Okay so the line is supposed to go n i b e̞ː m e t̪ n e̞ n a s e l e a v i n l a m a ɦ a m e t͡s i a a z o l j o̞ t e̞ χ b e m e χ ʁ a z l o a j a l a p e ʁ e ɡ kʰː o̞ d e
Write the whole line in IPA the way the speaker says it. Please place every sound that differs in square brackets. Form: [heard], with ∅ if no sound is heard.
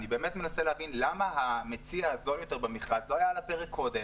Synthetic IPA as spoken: n i b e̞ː m e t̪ [m] e̞ n a s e l e a v i n l a m a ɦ a m e t͡s i a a z o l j o̞ t e̞ [ʁ] b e m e χ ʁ a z l o a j a l a p e ʁ e [k] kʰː o̞ d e